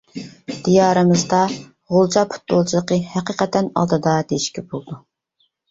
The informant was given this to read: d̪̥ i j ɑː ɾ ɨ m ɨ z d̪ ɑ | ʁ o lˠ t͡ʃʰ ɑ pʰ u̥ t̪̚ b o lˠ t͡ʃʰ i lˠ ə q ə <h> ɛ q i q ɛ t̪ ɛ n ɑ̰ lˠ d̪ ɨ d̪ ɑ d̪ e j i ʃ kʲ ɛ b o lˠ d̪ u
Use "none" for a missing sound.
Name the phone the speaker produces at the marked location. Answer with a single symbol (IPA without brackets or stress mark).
h